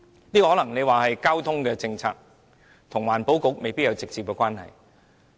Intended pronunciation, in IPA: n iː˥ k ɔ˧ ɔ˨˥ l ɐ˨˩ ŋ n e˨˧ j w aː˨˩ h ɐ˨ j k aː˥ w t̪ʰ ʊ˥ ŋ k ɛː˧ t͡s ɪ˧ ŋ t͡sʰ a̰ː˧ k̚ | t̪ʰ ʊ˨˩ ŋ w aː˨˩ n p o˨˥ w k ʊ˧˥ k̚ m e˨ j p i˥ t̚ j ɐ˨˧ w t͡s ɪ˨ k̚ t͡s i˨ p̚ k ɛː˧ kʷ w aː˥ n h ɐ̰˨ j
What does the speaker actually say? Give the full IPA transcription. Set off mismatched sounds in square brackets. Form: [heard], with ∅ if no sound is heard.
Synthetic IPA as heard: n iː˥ k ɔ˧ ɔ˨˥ l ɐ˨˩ ŋ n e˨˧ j w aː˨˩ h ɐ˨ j k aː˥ w t̪ʰ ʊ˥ ŋ k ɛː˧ t͡s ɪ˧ ŋ t͡sʰ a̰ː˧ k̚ | t̪ʰ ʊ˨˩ ŋ w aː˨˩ n p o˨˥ w k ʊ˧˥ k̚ m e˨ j p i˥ t̚ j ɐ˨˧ w t͡s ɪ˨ k̚ t͡s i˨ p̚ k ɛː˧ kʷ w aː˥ n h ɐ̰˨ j